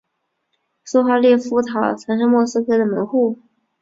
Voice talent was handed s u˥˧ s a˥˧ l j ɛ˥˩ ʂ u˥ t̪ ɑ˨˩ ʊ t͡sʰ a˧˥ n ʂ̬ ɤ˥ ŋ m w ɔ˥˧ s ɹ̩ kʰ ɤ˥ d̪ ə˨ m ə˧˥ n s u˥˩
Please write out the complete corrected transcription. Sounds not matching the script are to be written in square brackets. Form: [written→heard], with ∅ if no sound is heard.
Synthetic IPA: s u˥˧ [s→x] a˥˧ l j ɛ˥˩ [ʂ→f] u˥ [t̪→t̪ʰ] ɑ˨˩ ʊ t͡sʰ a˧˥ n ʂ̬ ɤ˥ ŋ m w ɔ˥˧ s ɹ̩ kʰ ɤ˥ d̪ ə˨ m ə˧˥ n [s→x] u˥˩